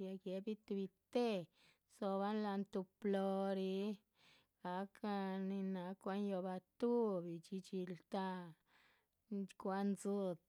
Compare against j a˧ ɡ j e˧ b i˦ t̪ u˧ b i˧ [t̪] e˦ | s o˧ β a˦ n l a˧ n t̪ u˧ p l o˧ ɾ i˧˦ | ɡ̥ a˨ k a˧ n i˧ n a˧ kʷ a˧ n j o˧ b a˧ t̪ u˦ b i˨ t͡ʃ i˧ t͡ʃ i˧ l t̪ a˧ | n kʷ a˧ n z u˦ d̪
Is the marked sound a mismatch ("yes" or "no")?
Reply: no